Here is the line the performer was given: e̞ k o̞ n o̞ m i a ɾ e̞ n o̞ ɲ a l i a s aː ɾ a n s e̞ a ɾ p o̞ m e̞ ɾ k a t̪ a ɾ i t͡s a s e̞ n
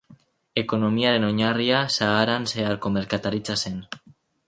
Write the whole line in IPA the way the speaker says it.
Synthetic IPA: e̞ k o̞ n o̞ m i a ɾ e̞ n o̞ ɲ a r i a s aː ɾ a n s e̞ a ɾ k o̞ m e̞ ɾ k a t̪ a ɾ i t͡s a s e̞ n